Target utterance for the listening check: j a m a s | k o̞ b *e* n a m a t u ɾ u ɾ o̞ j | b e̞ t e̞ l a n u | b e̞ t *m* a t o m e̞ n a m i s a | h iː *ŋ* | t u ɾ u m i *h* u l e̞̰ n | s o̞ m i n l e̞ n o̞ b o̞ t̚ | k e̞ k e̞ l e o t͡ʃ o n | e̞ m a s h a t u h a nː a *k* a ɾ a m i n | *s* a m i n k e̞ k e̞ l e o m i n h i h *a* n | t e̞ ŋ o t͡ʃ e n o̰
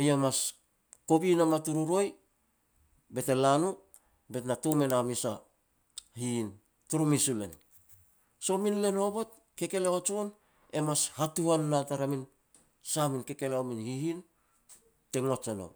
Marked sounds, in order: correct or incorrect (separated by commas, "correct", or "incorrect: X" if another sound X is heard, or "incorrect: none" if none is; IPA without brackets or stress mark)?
incorrect: i, incorrect: n, incorrect: n, incorrect: s, incorrect: t, correct, incorrect: i